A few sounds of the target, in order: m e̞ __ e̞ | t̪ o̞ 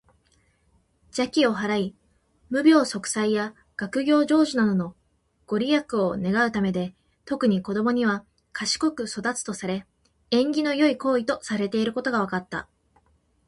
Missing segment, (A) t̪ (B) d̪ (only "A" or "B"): B